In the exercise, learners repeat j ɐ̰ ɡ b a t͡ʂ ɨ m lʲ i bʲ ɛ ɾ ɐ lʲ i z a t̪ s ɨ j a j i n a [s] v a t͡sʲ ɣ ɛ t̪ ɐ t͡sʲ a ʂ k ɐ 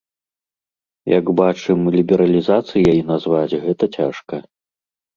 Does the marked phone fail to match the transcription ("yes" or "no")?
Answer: yes